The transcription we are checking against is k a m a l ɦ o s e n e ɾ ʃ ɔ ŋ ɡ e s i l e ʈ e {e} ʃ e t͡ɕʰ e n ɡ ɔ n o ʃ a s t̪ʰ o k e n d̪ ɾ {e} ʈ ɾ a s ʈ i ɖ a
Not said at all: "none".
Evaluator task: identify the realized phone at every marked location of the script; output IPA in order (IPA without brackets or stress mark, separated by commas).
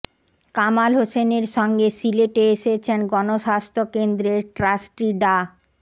e, e